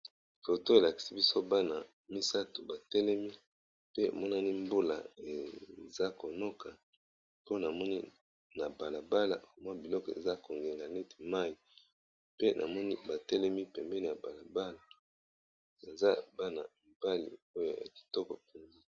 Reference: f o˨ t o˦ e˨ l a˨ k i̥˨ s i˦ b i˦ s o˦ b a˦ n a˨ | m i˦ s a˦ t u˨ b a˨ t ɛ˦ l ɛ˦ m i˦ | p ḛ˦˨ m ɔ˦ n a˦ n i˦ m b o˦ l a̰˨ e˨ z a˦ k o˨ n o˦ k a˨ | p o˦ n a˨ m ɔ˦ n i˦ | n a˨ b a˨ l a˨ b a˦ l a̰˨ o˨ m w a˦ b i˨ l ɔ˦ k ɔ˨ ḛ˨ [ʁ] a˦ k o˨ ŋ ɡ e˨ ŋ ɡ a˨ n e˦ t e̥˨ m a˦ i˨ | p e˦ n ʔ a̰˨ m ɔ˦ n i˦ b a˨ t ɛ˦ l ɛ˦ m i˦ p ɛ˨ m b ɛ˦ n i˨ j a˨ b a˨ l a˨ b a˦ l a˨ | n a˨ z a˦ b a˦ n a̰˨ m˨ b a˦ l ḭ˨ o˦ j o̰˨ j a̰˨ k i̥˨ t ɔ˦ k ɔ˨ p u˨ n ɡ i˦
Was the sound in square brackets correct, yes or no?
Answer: no